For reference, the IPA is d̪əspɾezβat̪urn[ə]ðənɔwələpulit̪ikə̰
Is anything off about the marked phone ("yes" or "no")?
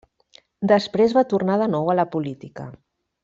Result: yes